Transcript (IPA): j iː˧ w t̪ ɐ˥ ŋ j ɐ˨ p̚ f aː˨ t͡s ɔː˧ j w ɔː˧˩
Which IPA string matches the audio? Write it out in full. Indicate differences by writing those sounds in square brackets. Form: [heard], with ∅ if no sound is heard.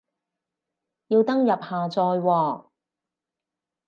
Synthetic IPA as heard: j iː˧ w t̪ ɐ˥ ŋ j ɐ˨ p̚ [h] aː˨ t͡s ɔː˧ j w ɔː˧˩